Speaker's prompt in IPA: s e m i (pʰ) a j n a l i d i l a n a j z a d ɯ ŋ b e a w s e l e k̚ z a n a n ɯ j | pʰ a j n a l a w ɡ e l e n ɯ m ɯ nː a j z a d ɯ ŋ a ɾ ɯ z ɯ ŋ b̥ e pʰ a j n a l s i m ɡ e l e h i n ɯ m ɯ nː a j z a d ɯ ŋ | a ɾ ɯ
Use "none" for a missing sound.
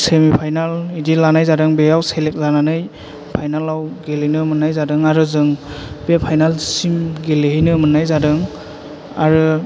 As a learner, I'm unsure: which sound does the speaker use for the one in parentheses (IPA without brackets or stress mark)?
pʰ